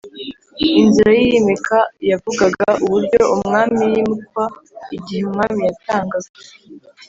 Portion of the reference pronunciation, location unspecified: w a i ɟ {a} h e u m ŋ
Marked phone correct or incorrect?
incorrect